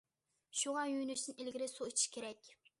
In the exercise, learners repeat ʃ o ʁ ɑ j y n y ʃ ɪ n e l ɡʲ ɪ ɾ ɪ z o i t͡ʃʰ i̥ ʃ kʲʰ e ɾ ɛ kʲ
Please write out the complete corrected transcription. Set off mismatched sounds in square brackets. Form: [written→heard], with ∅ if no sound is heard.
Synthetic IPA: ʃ [o→u] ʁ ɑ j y n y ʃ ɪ n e l ɡʲ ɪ ɾ ɪ [z→s] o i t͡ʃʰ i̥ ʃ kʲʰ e ɾ ɛ kʲ